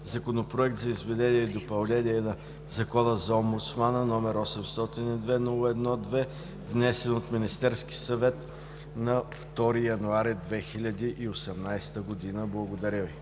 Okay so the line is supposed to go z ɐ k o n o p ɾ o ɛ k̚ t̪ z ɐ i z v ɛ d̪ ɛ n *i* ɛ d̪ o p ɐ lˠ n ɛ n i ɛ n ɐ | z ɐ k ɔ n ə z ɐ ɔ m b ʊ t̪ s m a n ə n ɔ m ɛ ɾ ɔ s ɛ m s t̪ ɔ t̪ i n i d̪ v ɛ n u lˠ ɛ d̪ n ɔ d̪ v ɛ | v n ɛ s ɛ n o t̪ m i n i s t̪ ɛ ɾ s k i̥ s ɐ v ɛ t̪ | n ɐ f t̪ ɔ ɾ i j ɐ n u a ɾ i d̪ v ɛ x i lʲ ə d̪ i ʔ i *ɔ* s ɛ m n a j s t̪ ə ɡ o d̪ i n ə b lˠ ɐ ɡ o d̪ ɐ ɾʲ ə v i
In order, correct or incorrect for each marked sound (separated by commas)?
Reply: correct, incorrect